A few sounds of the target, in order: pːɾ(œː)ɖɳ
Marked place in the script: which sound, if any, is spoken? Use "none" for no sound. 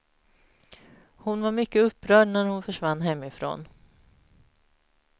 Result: œː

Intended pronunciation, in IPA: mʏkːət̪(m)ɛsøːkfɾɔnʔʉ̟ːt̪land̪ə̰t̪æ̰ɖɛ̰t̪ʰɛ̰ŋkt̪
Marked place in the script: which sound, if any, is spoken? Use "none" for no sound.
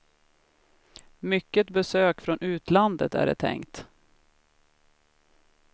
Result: b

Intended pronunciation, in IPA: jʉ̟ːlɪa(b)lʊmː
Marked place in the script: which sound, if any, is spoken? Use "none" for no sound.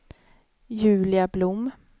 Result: b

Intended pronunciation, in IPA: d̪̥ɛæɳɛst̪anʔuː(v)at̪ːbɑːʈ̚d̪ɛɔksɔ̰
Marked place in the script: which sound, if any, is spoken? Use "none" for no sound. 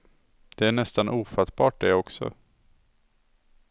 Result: f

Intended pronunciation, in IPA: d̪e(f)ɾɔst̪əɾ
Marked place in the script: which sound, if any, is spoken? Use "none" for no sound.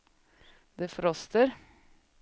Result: f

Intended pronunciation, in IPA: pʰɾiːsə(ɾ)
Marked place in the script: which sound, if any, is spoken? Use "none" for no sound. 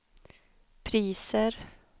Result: ɾ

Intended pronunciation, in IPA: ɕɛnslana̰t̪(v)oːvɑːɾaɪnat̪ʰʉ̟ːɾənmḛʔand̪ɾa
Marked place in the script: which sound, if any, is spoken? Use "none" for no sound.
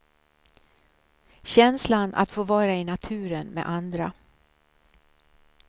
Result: f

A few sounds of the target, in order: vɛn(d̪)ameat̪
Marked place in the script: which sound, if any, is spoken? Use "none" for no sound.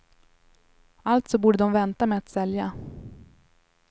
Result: t̪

